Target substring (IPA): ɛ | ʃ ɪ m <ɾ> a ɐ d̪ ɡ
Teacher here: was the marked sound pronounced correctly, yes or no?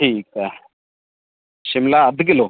no